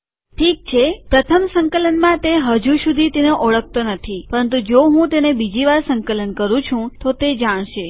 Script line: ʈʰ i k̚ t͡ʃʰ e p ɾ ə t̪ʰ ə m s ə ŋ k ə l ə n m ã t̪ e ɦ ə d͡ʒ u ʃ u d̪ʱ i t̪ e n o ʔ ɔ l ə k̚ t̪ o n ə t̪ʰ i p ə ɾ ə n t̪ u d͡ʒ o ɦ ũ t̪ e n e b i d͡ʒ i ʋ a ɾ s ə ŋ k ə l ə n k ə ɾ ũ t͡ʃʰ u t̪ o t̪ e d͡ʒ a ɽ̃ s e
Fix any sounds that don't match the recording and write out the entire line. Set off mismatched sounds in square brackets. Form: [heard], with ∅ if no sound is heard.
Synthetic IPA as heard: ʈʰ i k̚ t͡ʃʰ e p ɾ ə t̪ʰ ə m s ə ŋ k ə l ə n m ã t̪ e ɦ ə d͡ʒ u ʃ u d̪ʱ i t̪ e n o ʔ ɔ [ɭ] ə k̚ t̪ o n ə t̪ʰ i p ə ɾ ə n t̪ u d͡ʒ o ɦ ũ t̪ e n e b i d͡ʒ i ʋ a ɾ s ə ŋ k ə l ə n k ə ɾ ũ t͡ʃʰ [ũ] t̪ o t̪ e d͡ʒ a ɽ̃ [ʃ] e